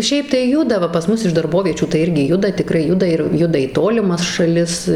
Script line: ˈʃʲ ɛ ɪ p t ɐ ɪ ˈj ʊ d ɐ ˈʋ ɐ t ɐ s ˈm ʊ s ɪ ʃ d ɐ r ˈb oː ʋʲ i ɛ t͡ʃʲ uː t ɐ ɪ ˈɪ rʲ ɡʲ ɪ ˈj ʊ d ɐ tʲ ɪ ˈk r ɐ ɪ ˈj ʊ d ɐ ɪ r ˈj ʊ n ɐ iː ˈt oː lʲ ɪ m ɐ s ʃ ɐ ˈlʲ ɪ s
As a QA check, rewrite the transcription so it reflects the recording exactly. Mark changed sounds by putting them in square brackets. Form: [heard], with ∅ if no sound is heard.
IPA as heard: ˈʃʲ ɛ ɪ p t ɐ ɪ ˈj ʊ d ɐ ˈʋ ɐ [p] ɐ s ˈm ʊ s ɪ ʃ d ɐ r ˈb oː ʋʲ i ɛ t͡ʃʲ uː t ɐ ɪ ˈɪ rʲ ɡʲ ɪ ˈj ʊ d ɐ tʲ ɪ ˈk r ɐ ɪ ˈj ʊ d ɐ ɪ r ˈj ʊ [d] ɐ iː ˈt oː lʲ ɪ m ɐ s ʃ ɐ ˈlʲ ɪ s